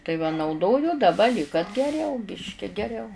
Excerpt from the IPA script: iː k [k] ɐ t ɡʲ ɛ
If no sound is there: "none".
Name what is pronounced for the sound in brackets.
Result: k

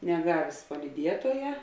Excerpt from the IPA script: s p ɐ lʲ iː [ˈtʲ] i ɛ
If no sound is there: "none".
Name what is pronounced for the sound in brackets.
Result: dʲ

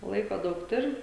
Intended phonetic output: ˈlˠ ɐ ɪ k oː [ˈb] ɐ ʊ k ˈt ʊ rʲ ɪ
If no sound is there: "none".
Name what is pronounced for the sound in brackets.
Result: d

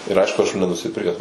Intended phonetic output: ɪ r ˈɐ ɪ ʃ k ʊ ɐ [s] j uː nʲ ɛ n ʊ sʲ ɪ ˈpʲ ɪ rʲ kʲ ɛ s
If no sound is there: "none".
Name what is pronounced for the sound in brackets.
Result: ʃ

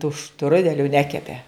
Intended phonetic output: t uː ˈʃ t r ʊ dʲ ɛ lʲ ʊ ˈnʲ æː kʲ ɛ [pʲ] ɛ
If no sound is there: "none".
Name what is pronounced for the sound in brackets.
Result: pʲ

